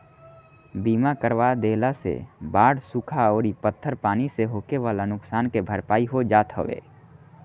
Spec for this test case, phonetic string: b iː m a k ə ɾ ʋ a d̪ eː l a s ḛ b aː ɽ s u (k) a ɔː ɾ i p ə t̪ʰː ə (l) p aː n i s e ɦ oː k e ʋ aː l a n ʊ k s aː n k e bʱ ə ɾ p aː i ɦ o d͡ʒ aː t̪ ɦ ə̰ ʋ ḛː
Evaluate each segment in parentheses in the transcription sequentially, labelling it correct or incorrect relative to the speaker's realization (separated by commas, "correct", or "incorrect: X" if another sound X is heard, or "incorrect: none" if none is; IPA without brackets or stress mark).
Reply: incorrect: kʰ, incorrect: ɾ